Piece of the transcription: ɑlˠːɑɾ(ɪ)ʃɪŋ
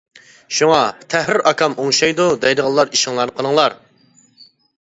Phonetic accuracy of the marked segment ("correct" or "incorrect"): incorrect